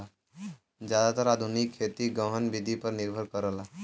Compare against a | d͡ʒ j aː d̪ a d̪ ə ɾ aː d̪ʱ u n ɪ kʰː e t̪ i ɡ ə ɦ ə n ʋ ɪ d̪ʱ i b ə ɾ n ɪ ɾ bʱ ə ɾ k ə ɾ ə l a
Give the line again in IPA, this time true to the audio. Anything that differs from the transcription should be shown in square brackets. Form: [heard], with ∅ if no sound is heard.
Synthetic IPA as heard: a | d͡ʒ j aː d̪ a [t̪] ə ɾ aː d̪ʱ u n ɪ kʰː e t̪ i ɡ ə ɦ ə n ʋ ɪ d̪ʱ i [p] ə ɾ n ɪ ɾ bʱ ə ɾ k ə ɾ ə l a